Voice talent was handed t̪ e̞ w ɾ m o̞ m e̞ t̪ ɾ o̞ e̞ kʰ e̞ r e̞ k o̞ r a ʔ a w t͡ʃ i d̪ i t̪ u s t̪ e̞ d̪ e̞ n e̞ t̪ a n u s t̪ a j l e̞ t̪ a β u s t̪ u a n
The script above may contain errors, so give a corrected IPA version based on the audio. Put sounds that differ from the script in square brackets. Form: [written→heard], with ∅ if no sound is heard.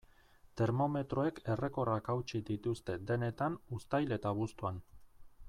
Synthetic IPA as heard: t̪ e̞ [w→∅] ɾ m o̞ m e̞ t̪ ɾ o̞ e̞ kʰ e̞ r e̞ k o̞ r a [ʔ→k] a w t͡ʃ i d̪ i t̪ u s t̪ e̞ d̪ e̞ n e̞ t̪ a n u s t̪ a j l e̞ t̪ a β u s t̪ u a n